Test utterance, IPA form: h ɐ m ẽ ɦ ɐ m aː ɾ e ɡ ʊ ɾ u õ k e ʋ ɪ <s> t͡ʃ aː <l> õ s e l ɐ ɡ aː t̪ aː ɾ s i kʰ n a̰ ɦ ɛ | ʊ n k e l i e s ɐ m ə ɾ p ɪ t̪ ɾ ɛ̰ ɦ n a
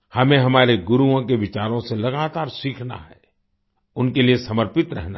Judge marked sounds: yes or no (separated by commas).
no, no